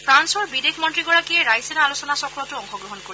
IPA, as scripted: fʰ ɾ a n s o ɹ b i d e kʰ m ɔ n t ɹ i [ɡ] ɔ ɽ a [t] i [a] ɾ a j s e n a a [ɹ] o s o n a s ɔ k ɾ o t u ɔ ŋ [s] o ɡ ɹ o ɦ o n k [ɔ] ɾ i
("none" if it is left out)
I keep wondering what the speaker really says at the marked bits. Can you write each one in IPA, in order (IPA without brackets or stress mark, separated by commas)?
ɡ, k, e, l, x, o